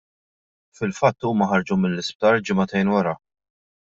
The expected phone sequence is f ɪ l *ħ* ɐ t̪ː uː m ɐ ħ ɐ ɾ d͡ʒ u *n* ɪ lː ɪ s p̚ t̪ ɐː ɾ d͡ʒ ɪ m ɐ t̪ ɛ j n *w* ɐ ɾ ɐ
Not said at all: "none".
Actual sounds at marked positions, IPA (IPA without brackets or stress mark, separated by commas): f, m, w